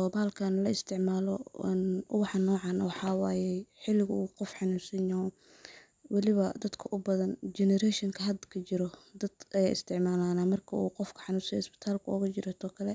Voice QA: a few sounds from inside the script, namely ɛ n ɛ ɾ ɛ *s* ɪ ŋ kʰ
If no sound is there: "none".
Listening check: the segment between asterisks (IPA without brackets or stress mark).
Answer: ʃ